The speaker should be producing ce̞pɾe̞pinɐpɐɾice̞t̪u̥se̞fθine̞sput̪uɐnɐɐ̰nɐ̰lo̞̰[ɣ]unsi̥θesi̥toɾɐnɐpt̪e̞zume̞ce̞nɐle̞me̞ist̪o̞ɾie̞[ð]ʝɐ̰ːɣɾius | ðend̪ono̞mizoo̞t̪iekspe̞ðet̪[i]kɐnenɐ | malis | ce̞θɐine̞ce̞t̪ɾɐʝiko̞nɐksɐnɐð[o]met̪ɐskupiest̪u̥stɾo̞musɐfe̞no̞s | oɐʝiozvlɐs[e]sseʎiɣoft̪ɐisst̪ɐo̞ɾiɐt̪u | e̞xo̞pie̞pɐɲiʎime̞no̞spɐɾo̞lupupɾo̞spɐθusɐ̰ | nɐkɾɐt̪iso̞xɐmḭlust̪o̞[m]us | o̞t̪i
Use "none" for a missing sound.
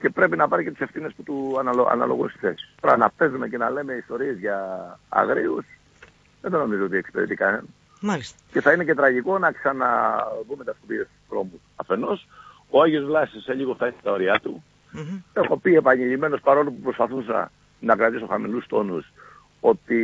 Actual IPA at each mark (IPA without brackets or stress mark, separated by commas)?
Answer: ɣ, z, i, u, i, n